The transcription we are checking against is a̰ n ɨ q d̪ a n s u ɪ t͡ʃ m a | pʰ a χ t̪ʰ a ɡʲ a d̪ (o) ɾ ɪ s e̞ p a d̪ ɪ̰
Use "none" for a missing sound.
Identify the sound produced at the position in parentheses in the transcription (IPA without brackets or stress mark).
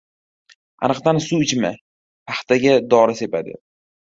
ɒ